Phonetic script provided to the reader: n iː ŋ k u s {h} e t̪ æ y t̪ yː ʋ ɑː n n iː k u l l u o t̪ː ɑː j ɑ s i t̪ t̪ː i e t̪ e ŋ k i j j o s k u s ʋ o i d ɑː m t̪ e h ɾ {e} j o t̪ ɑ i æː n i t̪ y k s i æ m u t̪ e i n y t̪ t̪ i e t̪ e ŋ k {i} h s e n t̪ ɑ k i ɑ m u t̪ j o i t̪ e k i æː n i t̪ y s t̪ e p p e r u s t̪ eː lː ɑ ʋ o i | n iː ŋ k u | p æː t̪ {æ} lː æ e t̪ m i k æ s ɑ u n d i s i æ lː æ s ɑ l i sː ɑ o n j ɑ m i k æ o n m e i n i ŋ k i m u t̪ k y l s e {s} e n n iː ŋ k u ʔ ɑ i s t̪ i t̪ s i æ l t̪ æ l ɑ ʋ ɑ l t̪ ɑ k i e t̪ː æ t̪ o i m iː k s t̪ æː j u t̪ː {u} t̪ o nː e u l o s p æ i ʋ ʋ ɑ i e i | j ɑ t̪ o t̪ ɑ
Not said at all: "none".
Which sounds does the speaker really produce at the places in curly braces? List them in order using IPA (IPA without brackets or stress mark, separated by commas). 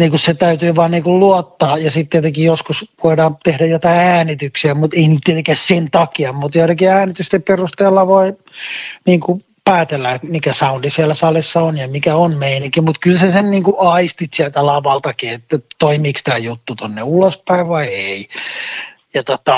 s, æ, æ, e, s, u